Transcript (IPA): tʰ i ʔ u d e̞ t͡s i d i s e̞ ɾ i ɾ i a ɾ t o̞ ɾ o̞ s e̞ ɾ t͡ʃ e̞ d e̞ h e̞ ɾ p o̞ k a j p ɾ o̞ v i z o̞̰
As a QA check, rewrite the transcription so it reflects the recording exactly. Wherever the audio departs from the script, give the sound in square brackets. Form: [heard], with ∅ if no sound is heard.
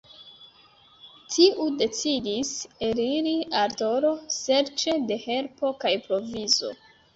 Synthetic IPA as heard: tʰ i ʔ u d e̞ t͡s i d i s e̞ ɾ i ɾ i a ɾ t o̞ ɾ o̞ s e̞ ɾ t͡ʃ e̞ d e̞ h e̞ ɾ p o̞ k a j p ɾ o̞ v i z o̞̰